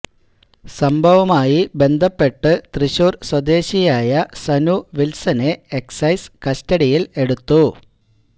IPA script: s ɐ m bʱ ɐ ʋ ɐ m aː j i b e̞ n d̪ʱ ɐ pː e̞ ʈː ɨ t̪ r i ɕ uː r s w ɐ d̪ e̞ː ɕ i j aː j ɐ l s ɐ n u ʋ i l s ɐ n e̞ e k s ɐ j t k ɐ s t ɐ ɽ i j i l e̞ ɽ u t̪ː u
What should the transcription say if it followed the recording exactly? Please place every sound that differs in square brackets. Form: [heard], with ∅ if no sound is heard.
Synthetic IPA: s ɐ m bʱ ɐ ʋ ɐ m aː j i b e̞ n d̪ʱ ɐ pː e̞ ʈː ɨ t̪ r i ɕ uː r s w ɐ d̪ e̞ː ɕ i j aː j ɐ [∅] s ɐ n u ʋ i l s ɐ n e̞ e k s ɐ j [s] k ɐ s t ɐ ɽ i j i l e̞ ɽ u t̪ː u